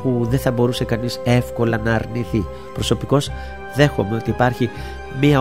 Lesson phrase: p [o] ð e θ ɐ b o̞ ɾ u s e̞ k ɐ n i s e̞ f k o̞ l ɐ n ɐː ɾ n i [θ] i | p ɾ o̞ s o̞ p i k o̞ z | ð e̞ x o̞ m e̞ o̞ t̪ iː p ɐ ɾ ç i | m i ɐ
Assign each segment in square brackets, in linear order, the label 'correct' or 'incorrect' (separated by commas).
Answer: incorrect, correct